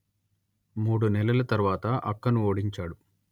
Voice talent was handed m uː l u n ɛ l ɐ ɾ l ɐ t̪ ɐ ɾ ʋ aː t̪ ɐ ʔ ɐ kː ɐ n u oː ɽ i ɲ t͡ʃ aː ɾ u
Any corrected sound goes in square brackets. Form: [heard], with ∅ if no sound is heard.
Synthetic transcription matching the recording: m uː [ɽ] u n ɛ l ɐ [∅] l ɐ t̪ ɐ ɾ ʋ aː t̪ ɐ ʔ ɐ kː ɐ n u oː ɽ i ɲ t͡ʃ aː [ɽ] u

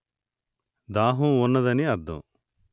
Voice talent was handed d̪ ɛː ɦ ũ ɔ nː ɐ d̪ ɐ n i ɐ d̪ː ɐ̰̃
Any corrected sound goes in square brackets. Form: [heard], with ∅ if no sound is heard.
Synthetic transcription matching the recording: d̪ [aː] ɦ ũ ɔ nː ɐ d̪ ɐ n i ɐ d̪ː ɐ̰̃

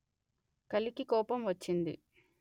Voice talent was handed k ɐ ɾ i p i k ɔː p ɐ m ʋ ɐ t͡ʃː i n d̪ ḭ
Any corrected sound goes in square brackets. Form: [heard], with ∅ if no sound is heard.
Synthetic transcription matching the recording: k ɐ [l] i [k] i k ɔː p ɐ m ʋ ɐ t͡ʃː i n d̪ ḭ

